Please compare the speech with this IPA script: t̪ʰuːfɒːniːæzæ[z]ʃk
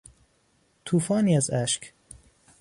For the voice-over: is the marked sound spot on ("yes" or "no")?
no